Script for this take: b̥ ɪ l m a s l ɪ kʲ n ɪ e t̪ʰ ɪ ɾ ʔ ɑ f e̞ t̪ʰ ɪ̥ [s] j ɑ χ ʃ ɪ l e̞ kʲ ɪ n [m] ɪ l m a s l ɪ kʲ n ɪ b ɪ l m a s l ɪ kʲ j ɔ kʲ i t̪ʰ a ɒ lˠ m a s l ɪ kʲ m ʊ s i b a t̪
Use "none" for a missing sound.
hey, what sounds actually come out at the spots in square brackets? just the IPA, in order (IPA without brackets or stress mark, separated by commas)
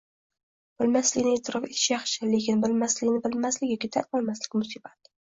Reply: ʃ, b